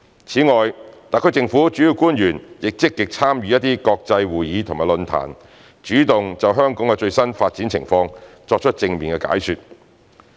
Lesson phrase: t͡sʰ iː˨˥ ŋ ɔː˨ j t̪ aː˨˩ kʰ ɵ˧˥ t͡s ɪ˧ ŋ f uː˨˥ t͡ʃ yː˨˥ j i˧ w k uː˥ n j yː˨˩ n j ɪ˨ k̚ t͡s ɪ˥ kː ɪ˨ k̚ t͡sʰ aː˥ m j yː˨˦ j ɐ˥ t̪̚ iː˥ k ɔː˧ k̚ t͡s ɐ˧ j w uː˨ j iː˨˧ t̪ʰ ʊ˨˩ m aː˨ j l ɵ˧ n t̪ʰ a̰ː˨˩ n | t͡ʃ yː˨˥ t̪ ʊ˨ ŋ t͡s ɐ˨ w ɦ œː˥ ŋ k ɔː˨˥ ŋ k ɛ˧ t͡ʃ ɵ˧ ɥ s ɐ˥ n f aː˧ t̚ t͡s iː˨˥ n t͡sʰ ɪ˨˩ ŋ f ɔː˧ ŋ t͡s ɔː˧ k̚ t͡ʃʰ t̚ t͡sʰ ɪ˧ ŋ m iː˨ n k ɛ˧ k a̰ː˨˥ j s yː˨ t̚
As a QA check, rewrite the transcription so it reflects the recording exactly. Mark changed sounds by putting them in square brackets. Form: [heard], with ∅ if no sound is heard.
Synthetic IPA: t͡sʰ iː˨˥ ŋ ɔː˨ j t̪ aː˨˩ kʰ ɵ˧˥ t͡s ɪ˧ ŋ f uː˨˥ t͡ʃ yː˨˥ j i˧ w k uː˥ n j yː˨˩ n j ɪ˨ k̚ t͡s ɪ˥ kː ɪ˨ k̚ t͡sʰ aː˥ m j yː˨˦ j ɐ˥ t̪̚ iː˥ k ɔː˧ k̚ t͡s ɐ˧ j w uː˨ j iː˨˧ t̪ʰ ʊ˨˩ m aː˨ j l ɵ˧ n t̪ʰ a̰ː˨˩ n | t͡ʃ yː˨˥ t̪ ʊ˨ ŋ t͡s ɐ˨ w ɦ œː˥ ŋ k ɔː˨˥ ŋ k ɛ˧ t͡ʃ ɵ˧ ɥ s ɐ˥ n f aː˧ t̚ t͡s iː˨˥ n t͡sʰ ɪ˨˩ ŋ f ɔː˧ ŋ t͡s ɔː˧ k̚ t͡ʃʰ t̚ [t͡s] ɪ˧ ŋ m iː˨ n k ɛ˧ k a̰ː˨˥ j s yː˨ t̚

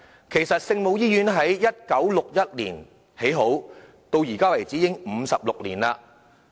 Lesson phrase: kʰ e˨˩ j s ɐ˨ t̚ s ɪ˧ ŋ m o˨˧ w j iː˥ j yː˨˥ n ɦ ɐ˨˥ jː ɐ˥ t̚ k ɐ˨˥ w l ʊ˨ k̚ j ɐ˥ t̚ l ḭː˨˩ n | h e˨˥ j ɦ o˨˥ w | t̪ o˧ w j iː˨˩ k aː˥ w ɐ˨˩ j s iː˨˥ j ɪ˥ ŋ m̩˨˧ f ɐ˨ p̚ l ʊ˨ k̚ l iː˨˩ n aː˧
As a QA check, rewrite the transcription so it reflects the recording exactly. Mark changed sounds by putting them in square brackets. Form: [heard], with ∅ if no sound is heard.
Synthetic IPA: kʰ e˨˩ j s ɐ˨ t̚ s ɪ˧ ŋ m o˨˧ w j iː˥ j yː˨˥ n ɦ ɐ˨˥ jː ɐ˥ t̚ k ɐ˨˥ w l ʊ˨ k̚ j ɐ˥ t̚ l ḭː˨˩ n | h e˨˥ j ɦ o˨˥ w | t̪ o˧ w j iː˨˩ k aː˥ w ɐ˨˩ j [t͡s] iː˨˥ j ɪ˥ ŋ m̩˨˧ [s] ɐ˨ p̚ l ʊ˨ k̚ l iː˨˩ n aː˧

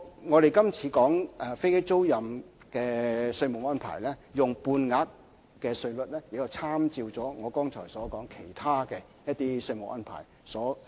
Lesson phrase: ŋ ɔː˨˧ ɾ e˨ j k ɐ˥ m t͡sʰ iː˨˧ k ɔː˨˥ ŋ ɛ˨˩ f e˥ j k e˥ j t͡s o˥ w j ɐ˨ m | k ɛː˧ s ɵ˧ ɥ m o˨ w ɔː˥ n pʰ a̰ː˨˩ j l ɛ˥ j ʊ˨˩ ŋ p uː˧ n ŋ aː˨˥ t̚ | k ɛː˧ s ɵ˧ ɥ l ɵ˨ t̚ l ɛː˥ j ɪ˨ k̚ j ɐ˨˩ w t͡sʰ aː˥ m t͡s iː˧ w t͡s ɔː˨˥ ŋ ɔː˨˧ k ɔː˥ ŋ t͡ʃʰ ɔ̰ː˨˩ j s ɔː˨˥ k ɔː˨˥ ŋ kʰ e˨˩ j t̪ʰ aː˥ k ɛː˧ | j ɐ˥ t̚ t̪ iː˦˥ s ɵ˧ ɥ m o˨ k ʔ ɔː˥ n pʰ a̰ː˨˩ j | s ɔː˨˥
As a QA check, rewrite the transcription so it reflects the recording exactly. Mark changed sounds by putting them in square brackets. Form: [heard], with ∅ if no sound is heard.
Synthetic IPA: ŋ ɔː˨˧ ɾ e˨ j k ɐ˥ m t͡sʰ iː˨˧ k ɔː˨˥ ŋ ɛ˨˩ f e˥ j k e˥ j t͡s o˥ w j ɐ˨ m | k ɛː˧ s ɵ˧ ɥ m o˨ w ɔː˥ n pʰ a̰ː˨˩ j l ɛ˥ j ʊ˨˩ ŋ p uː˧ n ŋ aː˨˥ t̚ | k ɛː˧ s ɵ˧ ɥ l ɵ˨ t̚ l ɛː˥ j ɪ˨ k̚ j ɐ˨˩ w t͡sʰ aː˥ m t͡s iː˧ w t͡s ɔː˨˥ ŋ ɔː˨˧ k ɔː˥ ŋ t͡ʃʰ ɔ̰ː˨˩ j s ɔː˨˥ k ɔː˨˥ ŋ kʰ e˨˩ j t̪ʰ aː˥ k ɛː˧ | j ɐ˥ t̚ t̪ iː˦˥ s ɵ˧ ɥ m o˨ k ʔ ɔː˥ n pʰ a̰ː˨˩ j | s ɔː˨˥

